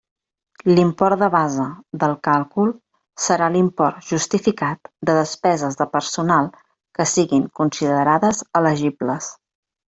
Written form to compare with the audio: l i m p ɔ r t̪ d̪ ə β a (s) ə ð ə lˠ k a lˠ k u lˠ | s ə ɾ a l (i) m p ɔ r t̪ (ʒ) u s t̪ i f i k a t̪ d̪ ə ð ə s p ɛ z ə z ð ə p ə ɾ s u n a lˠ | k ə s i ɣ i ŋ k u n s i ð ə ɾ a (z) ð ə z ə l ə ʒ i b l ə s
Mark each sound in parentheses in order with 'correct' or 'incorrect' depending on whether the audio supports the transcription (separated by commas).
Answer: incorrect, correct, correct, incorrect